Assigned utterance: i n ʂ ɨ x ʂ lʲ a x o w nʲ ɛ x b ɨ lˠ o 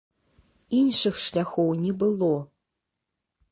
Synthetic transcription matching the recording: i n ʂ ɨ x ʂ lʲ a x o w nʲ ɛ b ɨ lˠ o